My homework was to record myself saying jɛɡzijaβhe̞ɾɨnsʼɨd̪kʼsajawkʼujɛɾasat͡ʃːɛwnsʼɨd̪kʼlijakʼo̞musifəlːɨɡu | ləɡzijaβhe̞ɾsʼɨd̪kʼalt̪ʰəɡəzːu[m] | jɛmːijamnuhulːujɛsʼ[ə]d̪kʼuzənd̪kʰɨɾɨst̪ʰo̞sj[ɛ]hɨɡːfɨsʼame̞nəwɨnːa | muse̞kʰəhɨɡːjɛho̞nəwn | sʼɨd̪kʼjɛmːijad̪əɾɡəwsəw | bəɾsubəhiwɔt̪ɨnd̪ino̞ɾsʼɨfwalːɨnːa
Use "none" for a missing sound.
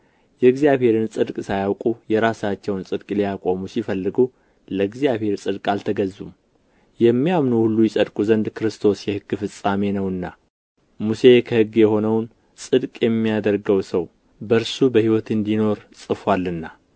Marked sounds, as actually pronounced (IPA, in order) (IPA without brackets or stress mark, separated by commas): m, ə, ɛ